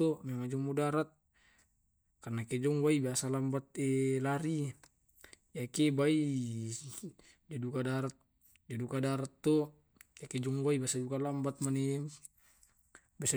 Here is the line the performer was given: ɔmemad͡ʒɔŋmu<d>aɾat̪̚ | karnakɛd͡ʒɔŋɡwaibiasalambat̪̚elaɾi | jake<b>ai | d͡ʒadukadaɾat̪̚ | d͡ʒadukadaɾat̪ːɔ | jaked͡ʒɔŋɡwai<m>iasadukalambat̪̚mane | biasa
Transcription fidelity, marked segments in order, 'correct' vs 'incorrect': correct, correct, incorrect: b

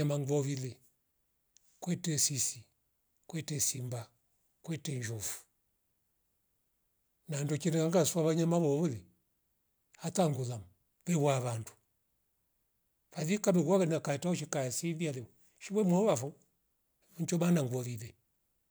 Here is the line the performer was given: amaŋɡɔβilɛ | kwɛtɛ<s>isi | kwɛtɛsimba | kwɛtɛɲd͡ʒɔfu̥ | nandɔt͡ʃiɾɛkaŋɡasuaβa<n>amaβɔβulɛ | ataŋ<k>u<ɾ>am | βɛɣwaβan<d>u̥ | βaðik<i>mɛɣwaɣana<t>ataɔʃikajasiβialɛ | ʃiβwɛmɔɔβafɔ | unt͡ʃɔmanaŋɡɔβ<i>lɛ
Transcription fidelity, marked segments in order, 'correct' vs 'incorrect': correct, incorrect: ɲ, incorrect: ɡ, incorrect: l, correct, incorrect: a, incorrect: k, correct

